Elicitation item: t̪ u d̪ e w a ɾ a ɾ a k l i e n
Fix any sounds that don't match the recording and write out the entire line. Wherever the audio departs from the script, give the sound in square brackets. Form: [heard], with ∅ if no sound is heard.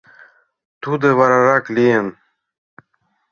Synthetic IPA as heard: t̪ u d̪ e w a ɾ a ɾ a k l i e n